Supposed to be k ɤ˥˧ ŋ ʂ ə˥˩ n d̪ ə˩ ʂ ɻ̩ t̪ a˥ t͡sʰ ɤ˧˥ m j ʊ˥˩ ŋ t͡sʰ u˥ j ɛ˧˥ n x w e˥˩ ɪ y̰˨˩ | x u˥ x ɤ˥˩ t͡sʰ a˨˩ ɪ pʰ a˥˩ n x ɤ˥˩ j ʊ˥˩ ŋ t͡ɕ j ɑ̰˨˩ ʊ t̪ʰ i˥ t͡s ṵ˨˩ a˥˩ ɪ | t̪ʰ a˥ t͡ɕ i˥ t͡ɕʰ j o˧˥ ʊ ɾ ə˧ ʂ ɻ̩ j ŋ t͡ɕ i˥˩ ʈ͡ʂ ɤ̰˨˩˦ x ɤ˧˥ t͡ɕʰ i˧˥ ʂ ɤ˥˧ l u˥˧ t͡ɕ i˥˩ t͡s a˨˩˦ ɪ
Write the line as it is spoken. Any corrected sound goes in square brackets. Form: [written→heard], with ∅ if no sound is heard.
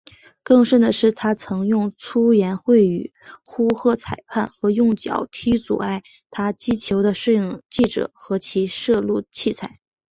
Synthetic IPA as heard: k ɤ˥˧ ŋ ʂ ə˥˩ n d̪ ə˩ ʂ ɻ̩ [t̪→t̪ʰ] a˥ t͡sʰ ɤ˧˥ [m→ŋ] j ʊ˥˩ ŋ t͡sʰ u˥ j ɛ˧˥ n x w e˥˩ ɪ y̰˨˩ | x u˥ x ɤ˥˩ t͡sʰ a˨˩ ɪ pʰ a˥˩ n x [ɤ˥˩→ɤ˧˥] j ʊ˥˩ ŋ t͡ɕ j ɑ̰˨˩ ʊ t̪ʰ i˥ t͡s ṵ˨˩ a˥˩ ɪ | t̪ʰ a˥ t͡ɕ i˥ t͡ɕʰ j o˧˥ ʊ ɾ ə˧ ʂ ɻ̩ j ŋ t͡ɕ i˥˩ ʈ͡ʂ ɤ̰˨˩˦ x ɤ˧˥ t͡ɕʰ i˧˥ ʂ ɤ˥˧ l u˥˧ [t͡ɕ→t͡ɕʰ] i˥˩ [t͡s→t͡sʰ] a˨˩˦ ɪ